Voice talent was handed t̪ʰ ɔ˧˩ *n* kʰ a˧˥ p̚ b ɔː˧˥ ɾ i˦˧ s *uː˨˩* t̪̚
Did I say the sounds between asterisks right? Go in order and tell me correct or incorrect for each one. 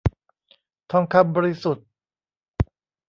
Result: incorrect, incorrect

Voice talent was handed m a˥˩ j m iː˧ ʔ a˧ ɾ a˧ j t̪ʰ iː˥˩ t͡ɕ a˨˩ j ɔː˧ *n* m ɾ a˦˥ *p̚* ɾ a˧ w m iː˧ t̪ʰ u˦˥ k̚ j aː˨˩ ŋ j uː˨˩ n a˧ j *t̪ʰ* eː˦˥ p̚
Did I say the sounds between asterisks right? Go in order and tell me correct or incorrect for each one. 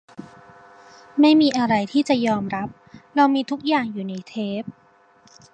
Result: incorrect, correct, correct

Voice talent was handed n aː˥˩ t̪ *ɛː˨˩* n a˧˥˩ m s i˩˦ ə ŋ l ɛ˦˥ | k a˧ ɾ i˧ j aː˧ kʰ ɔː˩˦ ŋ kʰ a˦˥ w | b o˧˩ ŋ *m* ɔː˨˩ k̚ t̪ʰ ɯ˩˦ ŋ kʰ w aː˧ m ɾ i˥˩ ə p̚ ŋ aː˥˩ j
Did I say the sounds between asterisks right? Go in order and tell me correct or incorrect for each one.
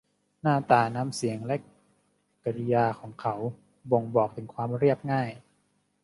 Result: incorrect, incorrect

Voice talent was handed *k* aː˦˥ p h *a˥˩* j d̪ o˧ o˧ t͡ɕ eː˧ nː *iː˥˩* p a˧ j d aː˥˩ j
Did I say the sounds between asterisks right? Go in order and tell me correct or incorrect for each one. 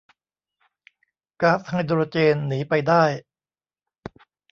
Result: correct, incorrect, incorrect

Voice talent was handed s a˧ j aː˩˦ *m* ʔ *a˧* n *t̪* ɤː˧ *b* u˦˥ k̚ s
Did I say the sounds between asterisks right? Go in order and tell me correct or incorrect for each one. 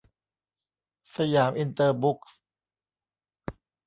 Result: correct, incorrect, correct, correct

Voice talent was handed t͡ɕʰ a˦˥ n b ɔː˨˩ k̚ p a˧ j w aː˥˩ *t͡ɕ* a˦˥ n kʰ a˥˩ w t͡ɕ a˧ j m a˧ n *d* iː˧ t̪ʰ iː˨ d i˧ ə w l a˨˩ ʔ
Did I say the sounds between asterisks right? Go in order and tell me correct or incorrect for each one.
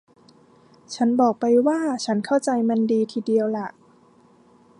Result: incorrect, correct

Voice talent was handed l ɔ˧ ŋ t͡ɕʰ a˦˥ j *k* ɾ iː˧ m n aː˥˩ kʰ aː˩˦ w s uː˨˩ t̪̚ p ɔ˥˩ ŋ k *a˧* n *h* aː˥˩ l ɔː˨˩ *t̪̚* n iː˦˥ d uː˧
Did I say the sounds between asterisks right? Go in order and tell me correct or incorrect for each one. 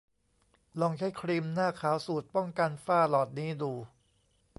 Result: incorrect, correct, incorrect, correct

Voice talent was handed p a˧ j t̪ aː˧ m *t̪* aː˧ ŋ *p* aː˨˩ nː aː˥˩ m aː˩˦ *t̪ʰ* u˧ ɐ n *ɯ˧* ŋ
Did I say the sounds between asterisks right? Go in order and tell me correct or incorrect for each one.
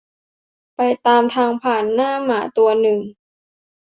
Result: incorrect, incorrect, incorrect, incorrect

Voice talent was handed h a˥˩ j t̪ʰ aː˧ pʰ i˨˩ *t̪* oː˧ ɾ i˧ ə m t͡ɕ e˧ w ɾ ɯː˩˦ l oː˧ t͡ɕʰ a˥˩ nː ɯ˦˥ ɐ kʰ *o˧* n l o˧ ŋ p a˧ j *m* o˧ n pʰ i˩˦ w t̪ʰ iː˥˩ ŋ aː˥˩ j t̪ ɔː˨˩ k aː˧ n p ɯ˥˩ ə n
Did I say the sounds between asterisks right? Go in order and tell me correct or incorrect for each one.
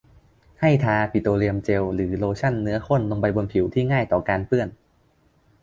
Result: correct, incorrect, incorrect

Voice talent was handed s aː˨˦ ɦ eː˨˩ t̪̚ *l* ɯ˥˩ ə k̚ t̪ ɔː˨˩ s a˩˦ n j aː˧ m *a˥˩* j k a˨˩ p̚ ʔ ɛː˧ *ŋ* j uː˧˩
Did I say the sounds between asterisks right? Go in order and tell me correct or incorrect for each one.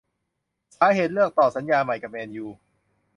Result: correct, incorrect, incorrect

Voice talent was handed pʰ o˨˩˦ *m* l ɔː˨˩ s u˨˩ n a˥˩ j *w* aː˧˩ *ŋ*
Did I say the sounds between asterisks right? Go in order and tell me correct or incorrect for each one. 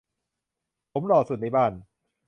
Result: correct, incorrect, incorrect

